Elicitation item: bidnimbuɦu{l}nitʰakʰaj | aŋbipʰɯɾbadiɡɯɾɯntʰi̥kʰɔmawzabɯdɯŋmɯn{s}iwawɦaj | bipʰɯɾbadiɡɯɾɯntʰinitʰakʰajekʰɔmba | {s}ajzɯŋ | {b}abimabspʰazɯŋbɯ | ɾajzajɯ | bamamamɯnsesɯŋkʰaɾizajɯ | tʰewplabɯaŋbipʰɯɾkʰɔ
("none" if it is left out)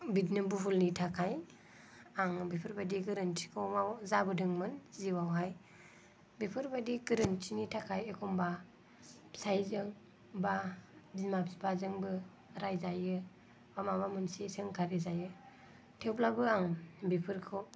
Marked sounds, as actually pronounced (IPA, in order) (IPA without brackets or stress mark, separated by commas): l, z, s, b